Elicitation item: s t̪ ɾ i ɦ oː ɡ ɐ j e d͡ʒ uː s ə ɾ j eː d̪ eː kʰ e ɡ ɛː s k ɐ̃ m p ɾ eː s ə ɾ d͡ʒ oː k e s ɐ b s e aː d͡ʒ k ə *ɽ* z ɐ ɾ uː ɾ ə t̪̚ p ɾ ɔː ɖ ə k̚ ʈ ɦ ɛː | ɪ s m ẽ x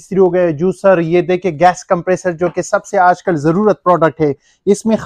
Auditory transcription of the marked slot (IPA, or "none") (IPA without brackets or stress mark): l